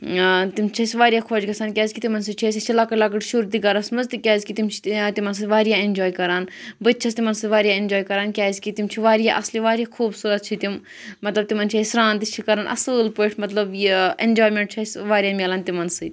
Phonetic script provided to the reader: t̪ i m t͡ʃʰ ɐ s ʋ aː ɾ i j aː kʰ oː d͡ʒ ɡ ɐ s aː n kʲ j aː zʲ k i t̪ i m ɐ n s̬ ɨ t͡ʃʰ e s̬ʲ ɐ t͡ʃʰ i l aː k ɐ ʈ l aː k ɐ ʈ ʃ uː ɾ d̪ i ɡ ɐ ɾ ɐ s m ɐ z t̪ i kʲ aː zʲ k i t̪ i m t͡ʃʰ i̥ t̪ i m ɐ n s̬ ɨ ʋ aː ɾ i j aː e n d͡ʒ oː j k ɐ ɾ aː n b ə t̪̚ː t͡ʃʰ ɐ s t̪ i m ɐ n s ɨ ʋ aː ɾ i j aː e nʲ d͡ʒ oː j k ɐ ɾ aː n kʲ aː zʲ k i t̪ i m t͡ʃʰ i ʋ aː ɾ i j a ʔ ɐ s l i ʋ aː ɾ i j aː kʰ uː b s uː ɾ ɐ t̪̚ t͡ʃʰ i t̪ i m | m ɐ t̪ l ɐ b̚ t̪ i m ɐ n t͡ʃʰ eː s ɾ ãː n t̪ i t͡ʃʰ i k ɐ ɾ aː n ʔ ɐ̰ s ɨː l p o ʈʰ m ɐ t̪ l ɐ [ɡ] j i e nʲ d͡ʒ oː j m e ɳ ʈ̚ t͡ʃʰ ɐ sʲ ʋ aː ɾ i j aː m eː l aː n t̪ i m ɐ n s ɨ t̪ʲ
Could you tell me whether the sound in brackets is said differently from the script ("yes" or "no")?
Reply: yes